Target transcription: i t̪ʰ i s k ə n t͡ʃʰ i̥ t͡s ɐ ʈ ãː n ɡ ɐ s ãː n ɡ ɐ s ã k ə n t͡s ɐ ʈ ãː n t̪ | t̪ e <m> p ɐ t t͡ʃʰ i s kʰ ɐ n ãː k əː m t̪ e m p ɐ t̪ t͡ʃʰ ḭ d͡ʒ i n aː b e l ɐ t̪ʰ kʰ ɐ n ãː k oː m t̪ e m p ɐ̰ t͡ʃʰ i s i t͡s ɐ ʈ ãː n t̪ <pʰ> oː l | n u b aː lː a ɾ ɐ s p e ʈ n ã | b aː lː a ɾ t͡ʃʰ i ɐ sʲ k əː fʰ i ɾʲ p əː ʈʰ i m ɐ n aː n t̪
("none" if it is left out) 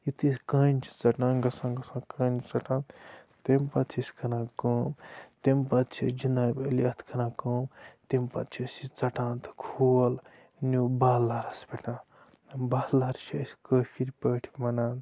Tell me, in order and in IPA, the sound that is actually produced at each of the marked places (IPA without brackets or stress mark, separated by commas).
m, kʰ